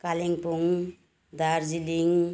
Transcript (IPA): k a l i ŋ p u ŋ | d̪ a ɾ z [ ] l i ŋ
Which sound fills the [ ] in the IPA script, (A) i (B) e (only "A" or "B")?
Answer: A